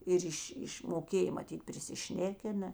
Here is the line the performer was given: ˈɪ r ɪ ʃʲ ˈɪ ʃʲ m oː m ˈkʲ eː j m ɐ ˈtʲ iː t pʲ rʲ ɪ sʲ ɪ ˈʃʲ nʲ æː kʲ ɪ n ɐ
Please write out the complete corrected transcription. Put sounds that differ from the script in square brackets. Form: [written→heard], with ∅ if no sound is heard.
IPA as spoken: ˈɪ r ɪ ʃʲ ˈɪ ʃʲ m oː [m→∅] ˈkʲ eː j m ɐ ˈtʲ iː t pʲ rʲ ɪ sʲ ɪ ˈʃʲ nʲ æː kʲ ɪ n ɐ